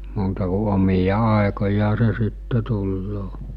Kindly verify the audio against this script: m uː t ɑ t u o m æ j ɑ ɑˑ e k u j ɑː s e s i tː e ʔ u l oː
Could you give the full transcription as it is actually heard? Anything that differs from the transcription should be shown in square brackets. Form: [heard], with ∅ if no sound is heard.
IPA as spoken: m uː t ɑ [k] u o m [i] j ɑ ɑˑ e k [o] j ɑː s e s i tː e [t] u [lː] oː